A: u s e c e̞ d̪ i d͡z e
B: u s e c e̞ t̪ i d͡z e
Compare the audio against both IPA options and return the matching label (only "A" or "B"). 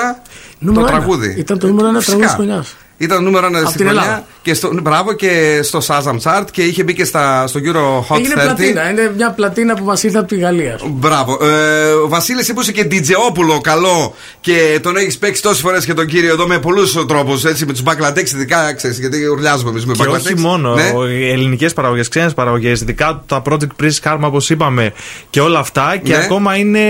A